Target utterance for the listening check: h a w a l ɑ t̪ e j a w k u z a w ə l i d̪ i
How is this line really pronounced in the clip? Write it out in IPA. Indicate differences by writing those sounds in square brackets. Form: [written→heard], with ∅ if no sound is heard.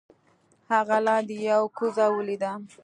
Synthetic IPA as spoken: h a [w→ɣ] a l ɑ [t̪→d̪] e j a w k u z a w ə l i d̪ [i→a]